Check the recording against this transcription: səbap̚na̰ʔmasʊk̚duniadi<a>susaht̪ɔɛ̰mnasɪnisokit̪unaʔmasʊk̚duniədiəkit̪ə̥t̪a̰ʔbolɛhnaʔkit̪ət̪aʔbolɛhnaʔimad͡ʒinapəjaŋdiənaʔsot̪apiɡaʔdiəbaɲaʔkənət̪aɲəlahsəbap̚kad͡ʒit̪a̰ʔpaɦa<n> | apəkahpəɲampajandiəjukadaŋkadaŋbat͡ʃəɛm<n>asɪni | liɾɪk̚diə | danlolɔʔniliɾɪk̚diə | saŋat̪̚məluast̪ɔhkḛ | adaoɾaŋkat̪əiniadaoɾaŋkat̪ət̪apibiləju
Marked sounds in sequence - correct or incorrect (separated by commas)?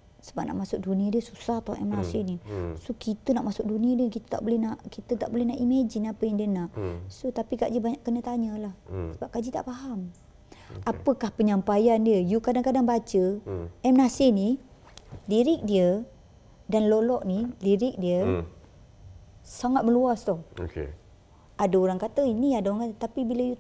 incorrect, incorrect, correct